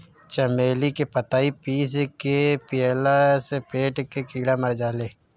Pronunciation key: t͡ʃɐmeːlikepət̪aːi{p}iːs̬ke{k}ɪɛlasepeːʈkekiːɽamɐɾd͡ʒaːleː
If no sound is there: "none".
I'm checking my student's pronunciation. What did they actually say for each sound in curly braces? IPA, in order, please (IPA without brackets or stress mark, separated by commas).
p, p